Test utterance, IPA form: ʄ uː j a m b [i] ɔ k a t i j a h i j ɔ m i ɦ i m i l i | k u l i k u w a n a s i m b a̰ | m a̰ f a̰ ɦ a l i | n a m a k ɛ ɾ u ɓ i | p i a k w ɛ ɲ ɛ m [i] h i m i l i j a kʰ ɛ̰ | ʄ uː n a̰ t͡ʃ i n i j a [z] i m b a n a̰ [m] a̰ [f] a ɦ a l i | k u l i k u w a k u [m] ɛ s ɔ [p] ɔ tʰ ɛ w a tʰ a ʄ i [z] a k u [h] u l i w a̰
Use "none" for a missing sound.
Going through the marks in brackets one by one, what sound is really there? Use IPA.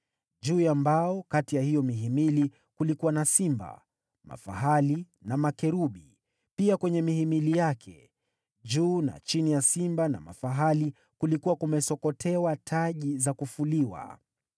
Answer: a, i, s, m, f, m, k, z, f

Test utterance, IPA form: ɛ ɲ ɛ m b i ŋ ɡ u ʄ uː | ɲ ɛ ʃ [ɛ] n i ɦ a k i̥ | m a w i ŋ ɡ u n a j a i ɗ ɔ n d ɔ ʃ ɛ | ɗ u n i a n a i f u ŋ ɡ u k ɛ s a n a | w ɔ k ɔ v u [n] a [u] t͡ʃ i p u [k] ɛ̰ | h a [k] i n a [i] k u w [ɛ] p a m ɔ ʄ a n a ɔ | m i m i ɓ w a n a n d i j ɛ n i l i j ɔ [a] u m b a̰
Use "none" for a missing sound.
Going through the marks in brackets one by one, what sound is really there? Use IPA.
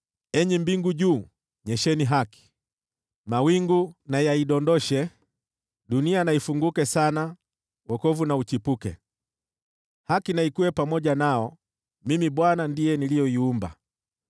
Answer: ɛ, n, u, k, k, i, ɛ, i

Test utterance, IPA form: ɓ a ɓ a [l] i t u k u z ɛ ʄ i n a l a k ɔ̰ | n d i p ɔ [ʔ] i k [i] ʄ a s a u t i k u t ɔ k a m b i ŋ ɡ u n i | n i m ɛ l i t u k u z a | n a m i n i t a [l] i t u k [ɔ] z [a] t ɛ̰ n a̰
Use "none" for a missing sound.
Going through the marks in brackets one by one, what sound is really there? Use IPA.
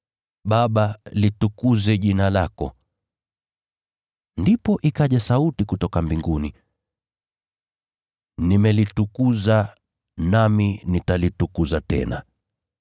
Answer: l, ʔ, a, l, u, a

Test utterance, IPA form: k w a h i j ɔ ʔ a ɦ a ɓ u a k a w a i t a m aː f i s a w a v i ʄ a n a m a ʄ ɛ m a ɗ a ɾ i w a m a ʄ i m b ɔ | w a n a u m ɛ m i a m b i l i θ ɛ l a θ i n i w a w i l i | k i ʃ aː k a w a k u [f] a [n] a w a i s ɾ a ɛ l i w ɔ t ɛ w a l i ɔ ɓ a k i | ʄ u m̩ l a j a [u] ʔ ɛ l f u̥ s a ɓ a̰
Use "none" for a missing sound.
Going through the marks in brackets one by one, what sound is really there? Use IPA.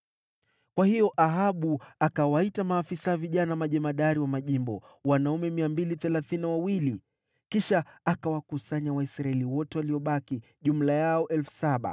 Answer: s, ɲ, ɔ

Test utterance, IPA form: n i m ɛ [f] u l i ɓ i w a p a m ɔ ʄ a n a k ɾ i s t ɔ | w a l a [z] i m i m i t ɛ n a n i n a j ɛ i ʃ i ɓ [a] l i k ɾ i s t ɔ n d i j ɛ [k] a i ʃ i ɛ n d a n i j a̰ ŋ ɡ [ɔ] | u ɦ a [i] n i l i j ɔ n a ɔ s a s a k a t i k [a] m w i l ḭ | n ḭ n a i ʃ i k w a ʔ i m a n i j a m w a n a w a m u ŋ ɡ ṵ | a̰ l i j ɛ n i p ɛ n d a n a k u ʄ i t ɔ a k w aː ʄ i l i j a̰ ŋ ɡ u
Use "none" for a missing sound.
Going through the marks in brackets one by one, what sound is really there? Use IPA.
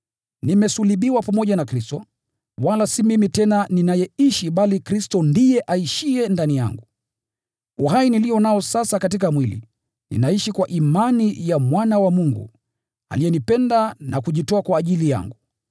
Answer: s, s, a, ʔ, u, i, a

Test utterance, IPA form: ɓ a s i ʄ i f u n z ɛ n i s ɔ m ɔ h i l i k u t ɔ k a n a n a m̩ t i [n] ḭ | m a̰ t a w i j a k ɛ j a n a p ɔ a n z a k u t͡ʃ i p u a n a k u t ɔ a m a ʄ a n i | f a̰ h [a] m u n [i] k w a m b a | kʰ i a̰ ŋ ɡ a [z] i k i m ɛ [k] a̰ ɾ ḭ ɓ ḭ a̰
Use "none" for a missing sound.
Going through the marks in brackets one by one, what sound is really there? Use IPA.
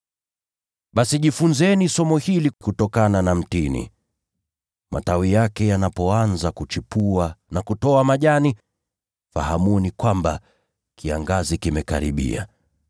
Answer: n, a, i, z, k

